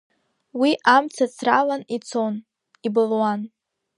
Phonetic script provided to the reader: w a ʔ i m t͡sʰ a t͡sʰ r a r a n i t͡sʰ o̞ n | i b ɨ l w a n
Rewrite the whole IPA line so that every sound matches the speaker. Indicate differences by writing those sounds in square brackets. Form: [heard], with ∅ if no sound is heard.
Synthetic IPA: w [i] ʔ [a] m t͡sʰ a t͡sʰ r a [l] a n i t͡sʰ o̞ n | i b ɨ l w a n